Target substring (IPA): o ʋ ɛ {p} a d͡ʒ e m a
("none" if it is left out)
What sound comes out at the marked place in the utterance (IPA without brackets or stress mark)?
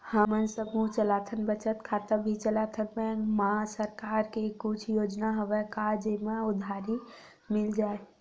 k